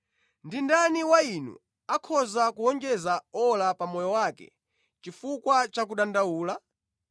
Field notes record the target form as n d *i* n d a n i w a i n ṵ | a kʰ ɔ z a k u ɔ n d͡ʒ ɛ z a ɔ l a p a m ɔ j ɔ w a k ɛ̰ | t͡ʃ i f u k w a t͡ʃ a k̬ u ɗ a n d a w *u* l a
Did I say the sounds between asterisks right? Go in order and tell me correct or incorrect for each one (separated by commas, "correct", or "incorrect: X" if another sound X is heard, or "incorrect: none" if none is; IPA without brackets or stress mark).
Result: correct, incorrect: uː